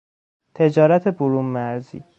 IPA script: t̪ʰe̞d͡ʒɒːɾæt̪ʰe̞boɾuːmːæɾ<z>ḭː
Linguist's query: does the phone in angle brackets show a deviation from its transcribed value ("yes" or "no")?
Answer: no